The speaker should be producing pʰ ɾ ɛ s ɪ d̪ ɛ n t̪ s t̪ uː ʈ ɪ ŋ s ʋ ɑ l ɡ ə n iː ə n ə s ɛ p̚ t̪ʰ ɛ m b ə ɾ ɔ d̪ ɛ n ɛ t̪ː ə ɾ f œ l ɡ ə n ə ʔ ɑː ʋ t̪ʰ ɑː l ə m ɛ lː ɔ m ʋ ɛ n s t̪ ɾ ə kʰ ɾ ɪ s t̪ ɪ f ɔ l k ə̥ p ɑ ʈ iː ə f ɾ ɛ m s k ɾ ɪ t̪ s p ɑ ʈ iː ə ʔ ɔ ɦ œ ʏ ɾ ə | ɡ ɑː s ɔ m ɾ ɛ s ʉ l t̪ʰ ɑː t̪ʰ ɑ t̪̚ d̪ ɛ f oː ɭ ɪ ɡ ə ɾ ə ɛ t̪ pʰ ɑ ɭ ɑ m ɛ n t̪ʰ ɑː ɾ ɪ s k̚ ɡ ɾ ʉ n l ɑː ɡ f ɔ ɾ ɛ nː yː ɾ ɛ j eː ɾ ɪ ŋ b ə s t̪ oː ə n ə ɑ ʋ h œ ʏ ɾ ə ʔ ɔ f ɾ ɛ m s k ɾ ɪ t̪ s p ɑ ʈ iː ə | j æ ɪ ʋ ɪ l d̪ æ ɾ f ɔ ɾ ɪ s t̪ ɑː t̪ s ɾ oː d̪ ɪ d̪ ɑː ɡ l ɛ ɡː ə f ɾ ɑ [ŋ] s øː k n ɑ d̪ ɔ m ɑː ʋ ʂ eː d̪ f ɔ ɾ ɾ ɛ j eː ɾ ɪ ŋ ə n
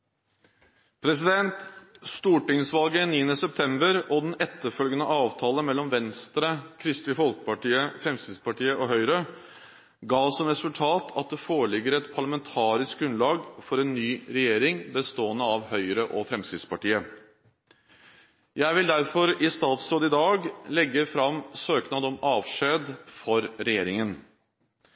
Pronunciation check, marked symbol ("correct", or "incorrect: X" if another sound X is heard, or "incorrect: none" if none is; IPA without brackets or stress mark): incorrect: m